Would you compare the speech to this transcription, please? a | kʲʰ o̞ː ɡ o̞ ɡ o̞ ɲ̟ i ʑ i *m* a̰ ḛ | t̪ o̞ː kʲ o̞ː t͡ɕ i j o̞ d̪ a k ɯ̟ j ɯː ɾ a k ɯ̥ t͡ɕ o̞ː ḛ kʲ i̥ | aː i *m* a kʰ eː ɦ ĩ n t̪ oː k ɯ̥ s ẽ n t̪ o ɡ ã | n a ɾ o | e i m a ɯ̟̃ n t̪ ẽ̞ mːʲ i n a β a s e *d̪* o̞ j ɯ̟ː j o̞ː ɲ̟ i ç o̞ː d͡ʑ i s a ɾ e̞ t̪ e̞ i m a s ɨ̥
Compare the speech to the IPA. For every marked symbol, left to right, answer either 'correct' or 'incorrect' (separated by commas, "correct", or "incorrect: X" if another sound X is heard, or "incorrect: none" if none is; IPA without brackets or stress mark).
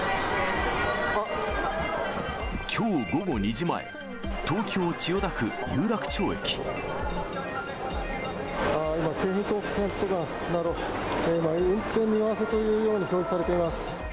correct, correct, incorrect: t̪